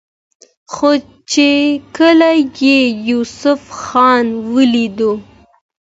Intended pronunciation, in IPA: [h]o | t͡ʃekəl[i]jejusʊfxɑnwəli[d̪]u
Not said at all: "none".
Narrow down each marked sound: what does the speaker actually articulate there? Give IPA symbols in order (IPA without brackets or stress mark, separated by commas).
x, a, d̪